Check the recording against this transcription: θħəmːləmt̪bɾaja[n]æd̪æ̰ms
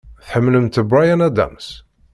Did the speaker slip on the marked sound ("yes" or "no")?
no